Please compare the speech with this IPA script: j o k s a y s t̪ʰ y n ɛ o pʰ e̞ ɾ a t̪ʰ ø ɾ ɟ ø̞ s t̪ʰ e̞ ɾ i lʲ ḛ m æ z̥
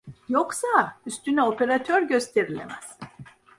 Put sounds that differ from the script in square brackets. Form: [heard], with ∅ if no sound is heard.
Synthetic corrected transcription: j o k s a y s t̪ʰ y n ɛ o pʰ e̞ ɾ a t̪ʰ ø ɾ ɟ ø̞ s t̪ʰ e̞ ɾ i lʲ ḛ m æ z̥